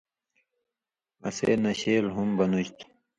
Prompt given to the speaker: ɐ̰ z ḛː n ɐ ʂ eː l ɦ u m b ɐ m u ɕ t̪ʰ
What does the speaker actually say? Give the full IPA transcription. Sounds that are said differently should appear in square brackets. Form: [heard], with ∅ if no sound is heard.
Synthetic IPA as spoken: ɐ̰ [s] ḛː n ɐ [ɕ] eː l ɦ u m b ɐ [n] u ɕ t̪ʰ